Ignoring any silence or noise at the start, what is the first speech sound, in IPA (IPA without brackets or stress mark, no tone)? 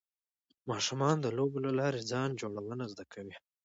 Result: m